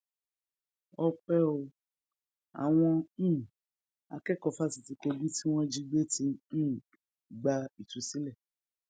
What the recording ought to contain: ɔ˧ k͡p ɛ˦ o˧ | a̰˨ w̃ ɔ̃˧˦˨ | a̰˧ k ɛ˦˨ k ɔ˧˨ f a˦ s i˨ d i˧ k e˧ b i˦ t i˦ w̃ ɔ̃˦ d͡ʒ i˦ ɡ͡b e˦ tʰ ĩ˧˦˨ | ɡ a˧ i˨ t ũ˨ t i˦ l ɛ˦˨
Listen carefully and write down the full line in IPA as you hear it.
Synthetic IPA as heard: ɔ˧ k͡p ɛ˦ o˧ | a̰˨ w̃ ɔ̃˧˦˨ | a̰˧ k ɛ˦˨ k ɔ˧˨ f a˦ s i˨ t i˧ k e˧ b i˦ t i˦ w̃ ɔ̃˦ d͡ʒ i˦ ɡ͡b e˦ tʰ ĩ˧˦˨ | ɡ͡b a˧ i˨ t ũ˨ s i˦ l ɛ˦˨